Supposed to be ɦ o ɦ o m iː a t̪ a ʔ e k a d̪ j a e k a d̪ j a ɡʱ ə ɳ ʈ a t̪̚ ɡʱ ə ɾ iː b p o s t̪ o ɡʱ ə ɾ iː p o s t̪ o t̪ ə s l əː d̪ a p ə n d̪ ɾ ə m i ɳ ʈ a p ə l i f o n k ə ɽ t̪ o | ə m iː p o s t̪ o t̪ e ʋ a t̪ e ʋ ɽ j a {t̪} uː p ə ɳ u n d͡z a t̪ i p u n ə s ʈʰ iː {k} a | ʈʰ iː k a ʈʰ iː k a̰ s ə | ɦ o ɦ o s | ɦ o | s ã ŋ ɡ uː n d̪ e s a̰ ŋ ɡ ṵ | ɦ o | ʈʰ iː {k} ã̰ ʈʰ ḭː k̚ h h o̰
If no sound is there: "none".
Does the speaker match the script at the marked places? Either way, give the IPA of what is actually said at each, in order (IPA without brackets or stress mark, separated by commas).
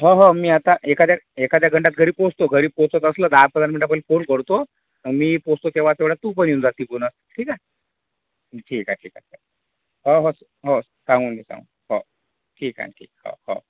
t̪, k, k